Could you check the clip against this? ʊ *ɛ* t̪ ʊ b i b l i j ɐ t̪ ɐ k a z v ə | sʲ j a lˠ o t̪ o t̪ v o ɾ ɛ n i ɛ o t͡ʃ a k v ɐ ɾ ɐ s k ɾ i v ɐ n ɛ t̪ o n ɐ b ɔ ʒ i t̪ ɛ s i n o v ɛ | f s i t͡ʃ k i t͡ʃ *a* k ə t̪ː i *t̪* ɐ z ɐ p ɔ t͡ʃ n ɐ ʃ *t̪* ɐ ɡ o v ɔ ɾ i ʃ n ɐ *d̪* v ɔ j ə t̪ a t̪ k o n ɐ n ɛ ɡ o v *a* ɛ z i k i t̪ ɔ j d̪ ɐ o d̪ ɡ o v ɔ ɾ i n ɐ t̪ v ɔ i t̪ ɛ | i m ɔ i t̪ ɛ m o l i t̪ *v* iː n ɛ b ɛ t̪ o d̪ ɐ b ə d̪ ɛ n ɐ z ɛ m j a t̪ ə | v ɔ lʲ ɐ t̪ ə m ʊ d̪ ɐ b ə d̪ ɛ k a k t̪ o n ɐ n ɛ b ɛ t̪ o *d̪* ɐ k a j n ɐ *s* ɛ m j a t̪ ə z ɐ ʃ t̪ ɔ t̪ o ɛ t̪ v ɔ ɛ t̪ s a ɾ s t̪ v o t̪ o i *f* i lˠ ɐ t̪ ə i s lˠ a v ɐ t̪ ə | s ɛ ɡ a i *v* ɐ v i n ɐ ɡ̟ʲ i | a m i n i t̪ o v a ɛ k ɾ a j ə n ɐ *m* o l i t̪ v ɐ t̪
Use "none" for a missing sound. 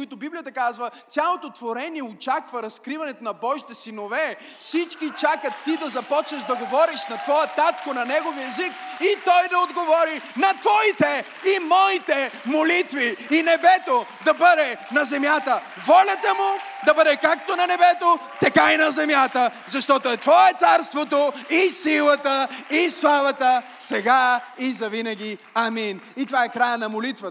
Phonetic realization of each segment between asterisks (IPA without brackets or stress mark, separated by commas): i, a, d̪, d̪, t̪, i, v, t̪, z, s, z, m